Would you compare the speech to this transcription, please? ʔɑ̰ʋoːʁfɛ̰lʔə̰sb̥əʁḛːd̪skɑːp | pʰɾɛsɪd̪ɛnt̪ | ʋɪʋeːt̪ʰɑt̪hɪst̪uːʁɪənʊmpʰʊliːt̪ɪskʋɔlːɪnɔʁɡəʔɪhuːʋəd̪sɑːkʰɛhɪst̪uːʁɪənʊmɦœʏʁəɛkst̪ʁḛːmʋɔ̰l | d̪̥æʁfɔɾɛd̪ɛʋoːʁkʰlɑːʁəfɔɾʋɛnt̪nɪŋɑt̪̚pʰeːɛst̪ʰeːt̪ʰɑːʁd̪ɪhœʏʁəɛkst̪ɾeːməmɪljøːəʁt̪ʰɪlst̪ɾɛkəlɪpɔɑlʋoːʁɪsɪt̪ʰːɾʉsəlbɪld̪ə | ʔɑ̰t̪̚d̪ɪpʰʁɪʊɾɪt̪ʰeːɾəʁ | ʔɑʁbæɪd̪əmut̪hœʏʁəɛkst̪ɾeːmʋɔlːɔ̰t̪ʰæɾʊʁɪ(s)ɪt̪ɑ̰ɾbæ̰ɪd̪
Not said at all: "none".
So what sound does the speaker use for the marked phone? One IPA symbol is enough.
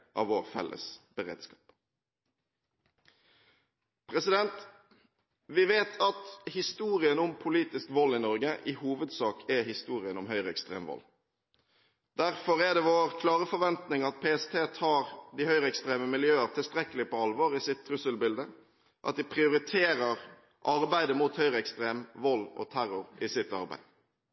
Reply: s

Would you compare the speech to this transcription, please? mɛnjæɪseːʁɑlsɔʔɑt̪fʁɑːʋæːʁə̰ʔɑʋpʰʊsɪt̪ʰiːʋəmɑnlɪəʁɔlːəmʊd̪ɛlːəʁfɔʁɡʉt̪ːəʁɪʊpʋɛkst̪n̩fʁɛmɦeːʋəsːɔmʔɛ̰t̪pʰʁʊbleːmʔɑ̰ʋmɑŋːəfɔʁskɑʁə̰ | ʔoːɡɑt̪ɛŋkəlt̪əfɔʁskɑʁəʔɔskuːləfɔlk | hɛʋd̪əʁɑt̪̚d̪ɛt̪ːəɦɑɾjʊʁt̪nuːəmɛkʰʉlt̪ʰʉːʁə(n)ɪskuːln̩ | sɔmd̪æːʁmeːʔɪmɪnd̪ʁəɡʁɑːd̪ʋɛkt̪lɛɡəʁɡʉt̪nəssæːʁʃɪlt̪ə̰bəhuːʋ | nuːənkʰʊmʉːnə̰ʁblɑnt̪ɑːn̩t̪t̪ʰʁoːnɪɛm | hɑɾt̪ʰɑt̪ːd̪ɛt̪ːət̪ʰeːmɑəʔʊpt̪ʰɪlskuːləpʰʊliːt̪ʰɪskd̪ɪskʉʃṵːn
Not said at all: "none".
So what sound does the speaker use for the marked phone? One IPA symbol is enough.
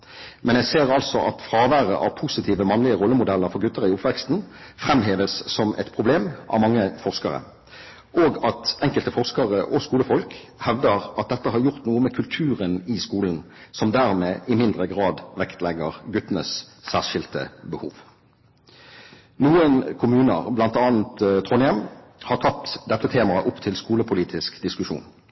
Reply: n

